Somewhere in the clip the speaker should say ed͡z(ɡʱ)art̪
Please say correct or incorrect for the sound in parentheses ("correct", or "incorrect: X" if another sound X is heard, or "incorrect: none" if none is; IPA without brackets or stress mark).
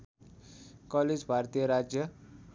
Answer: incorrect: bʱ